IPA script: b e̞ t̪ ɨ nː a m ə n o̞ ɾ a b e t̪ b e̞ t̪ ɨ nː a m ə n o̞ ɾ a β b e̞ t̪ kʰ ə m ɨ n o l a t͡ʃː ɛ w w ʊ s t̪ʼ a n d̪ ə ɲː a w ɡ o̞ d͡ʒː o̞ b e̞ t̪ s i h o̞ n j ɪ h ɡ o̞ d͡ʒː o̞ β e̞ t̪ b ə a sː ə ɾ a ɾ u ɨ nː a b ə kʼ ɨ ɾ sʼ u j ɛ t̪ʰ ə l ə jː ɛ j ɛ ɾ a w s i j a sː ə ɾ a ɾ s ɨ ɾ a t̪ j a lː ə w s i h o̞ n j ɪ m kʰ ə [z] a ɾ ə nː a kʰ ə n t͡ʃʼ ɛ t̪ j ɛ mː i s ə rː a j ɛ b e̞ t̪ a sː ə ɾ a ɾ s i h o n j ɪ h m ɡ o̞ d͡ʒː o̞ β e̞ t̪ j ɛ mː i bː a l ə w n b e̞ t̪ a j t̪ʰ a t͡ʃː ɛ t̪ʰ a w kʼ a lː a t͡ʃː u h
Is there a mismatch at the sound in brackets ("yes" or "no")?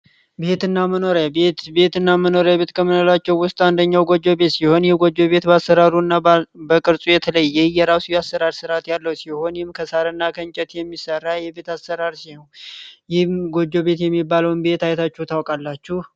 yes